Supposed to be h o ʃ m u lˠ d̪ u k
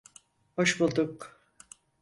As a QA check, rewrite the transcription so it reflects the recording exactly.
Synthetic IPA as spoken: h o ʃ b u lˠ d̪ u k

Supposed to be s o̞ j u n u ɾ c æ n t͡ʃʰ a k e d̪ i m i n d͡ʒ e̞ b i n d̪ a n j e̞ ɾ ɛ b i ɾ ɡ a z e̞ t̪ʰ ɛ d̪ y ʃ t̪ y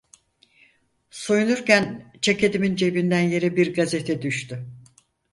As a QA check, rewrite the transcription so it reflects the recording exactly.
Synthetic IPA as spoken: s o̞ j u n u ɾ c æ n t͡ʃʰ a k e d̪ i m i n d͡ʒ e̞ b i n d̪ æ n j e̞ ɾ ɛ b i ɾ ɡ a z e̞ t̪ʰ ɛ d̪ y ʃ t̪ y

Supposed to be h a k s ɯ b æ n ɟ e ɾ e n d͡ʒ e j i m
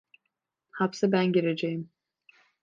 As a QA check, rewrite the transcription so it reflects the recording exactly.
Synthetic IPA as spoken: h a p s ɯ b æ n ɟ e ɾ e d͡ʒ e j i m

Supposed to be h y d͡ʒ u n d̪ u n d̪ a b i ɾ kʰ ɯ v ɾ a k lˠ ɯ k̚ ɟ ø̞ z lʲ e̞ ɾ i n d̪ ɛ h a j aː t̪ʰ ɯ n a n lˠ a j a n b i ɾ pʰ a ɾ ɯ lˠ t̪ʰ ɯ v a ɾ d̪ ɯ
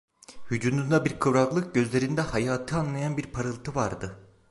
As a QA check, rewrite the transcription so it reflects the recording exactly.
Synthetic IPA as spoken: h y d͡ʒ u n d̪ u n d̪ a b i ɾ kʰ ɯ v ɾ a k lˠ ɯ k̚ ɟ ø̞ z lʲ e̞ ɾ i n d̪ ɛ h a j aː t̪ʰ ɯ a n lˠ a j a n b i ɾ pʰ a ɾ ɯ lˠ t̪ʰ ɯ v a ɾ d̪ ɯ

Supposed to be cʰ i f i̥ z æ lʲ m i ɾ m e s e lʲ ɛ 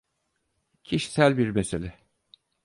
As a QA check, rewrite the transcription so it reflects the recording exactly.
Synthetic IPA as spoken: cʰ i ʃ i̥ s æ lʲ b i ɾ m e s e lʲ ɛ

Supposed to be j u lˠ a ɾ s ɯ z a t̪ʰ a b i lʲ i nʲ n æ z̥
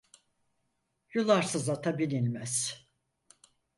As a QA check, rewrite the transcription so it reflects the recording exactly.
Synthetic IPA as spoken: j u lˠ a ɾ s ɯ z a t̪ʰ a b i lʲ i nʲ m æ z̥

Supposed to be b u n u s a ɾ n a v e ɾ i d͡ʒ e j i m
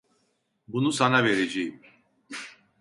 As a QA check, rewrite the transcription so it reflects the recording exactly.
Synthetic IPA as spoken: b u n u s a n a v e ɾ e d͡ʒ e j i m

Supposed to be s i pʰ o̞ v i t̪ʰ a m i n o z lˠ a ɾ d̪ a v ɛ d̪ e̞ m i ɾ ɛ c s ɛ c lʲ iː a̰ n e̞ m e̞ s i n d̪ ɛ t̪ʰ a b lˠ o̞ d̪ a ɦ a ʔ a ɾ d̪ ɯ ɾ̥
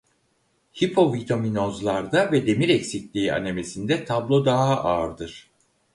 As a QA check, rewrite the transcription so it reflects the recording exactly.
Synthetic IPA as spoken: h i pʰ o̞ v i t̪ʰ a m i n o z lˠ a ɾ d̪ a v ɛ d̪ e̞ m i ɾ ɛ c s i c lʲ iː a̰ n e̞ m e̞ s i n d̪ ɛ t̪ʰ a b lˠ o̞ d̪ a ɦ a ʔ a ɾ d̪ ɯ ɾ̥

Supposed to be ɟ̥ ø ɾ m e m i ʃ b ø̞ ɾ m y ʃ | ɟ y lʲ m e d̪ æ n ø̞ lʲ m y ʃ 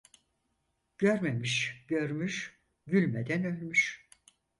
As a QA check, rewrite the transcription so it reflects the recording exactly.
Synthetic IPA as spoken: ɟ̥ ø ɾ m e m i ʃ ɟ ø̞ ɾ m y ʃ | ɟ y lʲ m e d̪ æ n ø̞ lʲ m y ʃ

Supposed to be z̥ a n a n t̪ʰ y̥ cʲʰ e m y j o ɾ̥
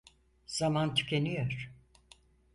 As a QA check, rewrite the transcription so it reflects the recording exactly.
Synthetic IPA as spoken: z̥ a m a n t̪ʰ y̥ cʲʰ e n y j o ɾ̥

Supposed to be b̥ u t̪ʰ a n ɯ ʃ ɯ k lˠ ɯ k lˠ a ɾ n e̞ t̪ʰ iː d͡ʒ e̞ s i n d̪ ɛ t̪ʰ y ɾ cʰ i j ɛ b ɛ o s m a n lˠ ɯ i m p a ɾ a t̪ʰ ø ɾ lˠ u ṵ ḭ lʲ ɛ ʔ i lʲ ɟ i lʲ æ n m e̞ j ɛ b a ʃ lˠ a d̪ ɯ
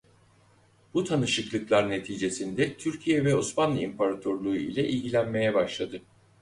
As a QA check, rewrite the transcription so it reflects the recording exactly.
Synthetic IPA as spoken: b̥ u t̪ʰ a n ɯ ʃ ɯ k lˠ ɯ k lˠ a ɾ n e̞ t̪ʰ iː d͡ʒ e̞ s i n d̪ ɛ t̪ʰ y ɾ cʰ i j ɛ v ɛ o s m a n lˠ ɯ i m p a ɾ a t̪ʰ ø ɾ lˠ u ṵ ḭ lʲ ɛ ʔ i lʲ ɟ i lʲ æ n m e̞ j ɛ b a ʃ lˠ a d̪ ɯ

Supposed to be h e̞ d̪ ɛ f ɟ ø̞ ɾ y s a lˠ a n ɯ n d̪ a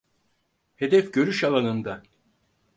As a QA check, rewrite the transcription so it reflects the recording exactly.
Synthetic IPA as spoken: h e̞ d̪ ɛ f ɟ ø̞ ɾ y ʃ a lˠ a n ɯ n d̪ a

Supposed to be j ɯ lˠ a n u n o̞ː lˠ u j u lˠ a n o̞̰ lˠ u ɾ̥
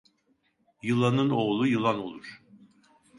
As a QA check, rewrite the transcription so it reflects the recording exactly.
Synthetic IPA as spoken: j ɯ lˠ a n ɯ n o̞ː lˠ u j ɯ lˠ a n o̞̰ lˠ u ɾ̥

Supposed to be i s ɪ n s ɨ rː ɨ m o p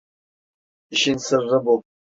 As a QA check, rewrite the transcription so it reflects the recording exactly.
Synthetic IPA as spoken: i ʃ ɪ n s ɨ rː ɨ b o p

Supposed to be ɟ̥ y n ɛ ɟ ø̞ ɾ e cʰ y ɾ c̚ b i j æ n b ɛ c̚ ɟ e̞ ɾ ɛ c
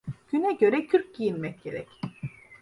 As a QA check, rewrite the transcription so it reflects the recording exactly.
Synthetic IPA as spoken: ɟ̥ y n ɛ ɟ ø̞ ɾ ɛ cʰ y ɾ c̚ ɟ i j i n m ɛ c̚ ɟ e̞ ɾ ɛ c

